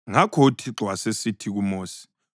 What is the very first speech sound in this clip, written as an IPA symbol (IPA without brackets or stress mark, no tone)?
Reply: ŋ